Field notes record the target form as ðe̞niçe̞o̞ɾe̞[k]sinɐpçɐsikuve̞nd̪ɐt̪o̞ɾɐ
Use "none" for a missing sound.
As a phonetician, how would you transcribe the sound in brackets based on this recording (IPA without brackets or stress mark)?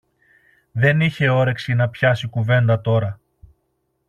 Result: k